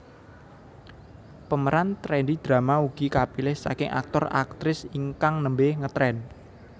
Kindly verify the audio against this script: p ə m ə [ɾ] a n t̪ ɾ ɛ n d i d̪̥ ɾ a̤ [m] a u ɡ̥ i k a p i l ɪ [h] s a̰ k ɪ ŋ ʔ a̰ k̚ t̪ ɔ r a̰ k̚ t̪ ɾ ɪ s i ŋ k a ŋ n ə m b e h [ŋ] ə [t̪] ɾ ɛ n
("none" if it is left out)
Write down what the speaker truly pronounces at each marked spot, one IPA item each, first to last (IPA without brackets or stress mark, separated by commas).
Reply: ɾ, m, h, ŋ, t̪